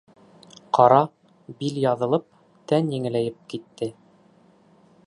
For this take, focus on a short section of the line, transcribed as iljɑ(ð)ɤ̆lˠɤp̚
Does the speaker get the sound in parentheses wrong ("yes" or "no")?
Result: no